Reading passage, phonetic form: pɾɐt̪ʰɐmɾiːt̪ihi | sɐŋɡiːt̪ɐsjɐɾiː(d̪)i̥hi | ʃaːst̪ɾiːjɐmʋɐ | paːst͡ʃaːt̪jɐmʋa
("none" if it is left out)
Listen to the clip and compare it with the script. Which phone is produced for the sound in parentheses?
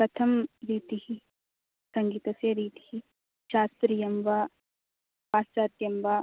t̪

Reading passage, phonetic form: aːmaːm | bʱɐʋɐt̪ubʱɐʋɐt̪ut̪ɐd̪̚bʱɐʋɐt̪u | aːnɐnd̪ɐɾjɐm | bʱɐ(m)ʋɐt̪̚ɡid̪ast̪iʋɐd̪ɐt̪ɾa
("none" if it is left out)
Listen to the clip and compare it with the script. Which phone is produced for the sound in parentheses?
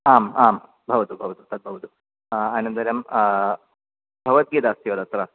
none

